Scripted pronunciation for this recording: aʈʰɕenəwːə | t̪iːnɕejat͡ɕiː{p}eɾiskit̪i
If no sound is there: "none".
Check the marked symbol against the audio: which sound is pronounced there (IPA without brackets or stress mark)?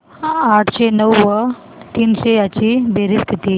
b